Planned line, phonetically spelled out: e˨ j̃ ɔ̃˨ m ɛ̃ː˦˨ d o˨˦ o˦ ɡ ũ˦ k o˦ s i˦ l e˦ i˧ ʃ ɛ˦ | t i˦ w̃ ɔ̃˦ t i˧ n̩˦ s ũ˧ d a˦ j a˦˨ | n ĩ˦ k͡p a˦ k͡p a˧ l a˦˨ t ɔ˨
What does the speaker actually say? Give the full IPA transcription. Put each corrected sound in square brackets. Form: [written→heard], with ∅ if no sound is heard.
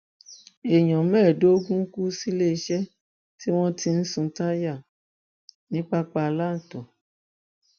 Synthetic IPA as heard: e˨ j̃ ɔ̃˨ m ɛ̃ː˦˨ d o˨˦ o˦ ɡ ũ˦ k [o˦→u˦] s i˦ l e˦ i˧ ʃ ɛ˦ | t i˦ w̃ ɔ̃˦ t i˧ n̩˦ s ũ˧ [d→t] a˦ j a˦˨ | n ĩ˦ k͡p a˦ k͡p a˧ l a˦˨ t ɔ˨